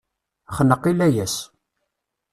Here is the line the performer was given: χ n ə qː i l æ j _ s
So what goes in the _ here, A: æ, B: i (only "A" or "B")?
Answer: A